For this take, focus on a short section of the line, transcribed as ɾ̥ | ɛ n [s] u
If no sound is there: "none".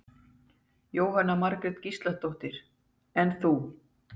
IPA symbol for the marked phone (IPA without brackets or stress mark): θ